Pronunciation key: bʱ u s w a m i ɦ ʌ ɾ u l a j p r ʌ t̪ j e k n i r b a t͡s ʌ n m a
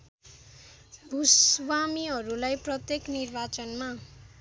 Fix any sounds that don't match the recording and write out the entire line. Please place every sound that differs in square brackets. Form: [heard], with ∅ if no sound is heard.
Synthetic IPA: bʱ u s w a m i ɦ ʌ ɾ u l a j p r ʌ t̪ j e k n i r b a t͡s ʌ n m a